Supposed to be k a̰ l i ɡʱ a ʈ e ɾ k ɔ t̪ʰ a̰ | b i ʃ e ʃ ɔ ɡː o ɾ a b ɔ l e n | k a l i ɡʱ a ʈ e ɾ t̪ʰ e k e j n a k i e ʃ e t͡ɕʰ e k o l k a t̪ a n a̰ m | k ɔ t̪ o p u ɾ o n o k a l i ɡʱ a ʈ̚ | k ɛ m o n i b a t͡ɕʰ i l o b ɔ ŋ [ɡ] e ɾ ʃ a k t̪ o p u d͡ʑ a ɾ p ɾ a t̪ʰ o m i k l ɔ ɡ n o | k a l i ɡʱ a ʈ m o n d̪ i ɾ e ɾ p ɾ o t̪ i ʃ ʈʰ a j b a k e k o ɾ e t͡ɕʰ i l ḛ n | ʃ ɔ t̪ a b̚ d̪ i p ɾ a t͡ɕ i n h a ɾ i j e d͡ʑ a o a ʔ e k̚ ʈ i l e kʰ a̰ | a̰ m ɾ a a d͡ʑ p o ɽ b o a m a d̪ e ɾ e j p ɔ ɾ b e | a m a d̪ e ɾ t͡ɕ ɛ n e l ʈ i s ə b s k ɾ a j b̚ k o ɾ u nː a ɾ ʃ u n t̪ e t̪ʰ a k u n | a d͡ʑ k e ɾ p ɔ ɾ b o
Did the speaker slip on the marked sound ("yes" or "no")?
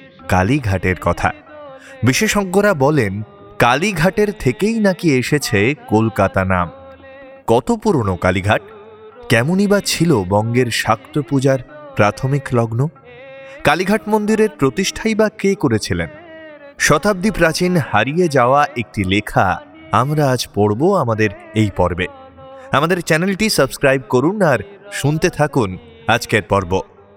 no